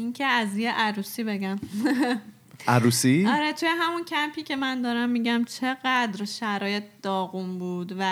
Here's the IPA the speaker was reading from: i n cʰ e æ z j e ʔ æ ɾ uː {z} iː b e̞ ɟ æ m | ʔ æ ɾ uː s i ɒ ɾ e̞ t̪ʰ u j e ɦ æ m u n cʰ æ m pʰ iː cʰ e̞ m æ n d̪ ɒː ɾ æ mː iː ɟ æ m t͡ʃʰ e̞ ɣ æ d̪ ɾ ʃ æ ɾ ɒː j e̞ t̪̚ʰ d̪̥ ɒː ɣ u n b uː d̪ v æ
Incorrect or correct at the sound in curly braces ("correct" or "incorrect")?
incorrect